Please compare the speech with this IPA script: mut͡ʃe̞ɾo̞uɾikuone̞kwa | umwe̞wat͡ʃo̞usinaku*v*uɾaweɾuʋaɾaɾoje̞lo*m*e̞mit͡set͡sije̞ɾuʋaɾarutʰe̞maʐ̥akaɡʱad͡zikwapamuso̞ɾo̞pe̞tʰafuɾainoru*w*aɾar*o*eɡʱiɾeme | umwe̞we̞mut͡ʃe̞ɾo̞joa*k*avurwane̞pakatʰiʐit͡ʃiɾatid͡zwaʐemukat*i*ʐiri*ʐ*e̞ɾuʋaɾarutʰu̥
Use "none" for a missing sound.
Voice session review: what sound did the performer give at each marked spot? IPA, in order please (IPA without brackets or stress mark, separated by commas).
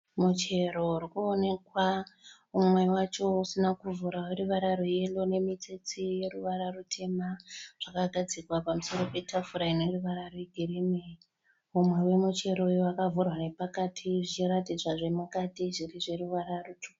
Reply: v, n, ʋ, o, k, i, ʐ